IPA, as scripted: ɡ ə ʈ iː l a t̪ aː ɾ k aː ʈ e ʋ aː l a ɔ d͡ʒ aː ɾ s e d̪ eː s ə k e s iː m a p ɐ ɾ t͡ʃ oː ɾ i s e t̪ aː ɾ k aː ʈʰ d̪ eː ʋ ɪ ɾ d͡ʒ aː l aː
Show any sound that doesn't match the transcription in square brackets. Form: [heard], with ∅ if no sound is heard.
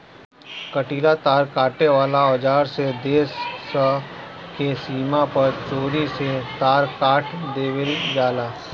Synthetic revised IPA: [k] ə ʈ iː l a t̪ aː ɾ k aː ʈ e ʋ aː l a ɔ d͡ʒ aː ɾ s e d̪ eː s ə k e s iː m a p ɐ ɾ t͡ʃ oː ɾ i s e t̪ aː ɾ k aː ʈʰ d̪ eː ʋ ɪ [l] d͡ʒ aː l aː